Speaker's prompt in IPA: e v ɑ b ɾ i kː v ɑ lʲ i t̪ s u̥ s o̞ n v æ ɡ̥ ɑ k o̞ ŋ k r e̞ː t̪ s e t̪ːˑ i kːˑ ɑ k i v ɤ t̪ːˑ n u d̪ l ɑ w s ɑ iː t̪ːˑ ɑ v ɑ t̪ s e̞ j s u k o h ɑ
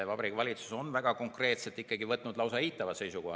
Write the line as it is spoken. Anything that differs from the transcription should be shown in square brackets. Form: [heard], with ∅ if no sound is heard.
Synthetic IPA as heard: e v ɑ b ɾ i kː v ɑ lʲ i t̪ s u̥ s o̞ n v æ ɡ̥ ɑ k o̞ ŋ k r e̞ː t̪ s e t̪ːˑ i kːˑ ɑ [ɡ] i v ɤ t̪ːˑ n u d̪ l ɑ w s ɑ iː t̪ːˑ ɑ v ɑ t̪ s e̞ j s u k o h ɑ